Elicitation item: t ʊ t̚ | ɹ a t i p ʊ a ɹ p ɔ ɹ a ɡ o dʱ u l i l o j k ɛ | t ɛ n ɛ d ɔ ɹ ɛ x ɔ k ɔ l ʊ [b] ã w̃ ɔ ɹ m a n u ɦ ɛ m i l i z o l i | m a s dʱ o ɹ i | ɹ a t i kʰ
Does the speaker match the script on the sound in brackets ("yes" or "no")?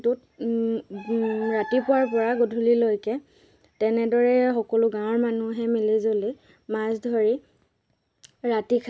no